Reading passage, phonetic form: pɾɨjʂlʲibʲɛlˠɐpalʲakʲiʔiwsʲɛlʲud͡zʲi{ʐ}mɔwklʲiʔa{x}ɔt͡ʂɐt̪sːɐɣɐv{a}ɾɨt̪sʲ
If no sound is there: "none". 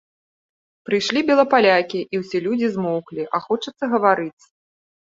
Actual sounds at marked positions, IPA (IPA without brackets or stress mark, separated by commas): z, x, a